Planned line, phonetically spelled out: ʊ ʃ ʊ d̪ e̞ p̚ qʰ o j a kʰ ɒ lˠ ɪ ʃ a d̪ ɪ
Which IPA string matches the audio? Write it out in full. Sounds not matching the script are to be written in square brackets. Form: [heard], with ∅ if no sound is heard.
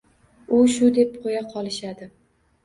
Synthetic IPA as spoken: ʊ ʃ ʊ d̪ e̞ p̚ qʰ o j a [qʰ] ɒ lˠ ɪ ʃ a d̪ ɪ